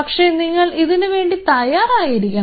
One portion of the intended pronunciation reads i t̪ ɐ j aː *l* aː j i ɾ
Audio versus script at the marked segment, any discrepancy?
yes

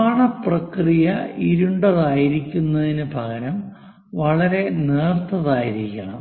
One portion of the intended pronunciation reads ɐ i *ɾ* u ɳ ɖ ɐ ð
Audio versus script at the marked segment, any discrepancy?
no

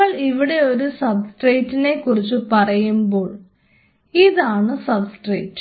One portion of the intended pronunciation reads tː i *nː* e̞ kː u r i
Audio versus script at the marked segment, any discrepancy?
yes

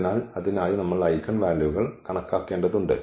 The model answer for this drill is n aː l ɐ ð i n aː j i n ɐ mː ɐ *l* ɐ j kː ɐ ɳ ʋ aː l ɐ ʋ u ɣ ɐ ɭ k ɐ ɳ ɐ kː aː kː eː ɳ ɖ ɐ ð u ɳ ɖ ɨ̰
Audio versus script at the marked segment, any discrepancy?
yes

